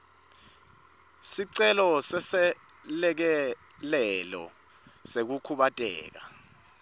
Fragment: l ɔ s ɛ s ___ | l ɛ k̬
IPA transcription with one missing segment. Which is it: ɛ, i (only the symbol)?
ɛ